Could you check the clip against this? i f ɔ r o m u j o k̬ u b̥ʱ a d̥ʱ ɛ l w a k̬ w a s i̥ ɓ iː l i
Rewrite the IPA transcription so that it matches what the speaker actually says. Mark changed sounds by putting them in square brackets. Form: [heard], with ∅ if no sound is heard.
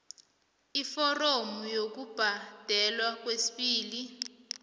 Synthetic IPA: i f ɔ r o m u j o k̬ u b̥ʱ a d̥ʱ ɛ l w a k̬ w [e] s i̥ ɓ iː l i